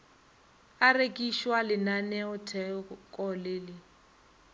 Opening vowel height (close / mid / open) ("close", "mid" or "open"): open